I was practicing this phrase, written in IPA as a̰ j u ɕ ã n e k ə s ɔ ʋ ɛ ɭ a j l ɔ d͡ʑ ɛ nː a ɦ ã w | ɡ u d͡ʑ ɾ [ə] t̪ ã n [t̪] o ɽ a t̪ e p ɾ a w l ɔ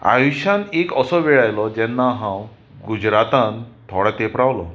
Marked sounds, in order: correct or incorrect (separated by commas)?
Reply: incorrect, incorrect